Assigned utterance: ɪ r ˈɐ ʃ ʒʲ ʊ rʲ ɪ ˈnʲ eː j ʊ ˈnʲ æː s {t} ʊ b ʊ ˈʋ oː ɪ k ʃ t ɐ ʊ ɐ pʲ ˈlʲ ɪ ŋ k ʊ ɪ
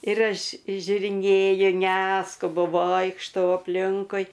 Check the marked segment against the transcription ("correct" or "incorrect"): incorrect